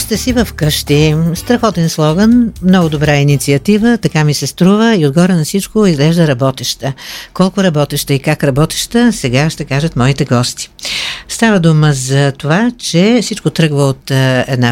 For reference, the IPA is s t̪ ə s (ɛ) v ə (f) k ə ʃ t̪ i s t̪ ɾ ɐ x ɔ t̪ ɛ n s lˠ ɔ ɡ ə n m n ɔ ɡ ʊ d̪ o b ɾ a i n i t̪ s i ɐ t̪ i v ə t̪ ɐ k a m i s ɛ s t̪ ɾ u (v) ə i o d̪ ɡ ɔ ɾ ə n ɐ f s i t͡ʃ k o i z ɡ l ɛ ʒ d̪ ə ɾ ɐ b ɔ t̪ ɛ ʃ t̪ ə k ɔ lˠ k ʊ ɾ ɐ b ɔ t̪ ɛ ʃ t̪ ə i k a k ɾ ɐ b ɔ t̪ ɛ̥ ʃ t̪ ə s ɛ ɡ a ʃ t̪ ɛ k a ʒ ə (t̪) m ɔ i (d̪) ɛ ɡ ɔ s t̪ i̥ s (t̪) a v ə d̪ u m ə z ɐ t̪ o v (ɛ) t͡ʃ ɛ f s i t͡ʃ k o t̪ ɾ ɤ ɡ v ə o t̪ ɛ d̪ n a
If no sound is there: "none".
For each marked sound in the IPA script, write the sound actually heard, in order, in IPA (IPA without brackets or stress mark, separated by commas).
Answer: i, f, v, t̪, t̪, t̪, a